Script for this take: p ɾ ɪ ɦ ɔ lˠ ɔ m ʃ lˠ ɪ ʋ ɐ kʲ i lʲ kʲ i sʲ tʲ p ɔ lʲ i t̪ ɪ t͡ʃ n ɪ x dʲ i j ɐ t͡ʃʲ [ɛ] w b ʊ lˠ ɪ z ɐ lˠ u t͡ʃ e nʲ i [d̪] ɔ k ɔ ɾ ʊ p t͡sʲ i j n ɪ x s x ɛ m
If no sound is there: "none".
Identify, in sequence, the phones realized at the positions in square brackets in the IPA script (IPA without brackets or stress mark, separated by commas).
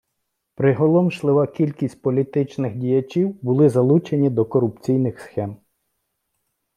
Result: i, d̪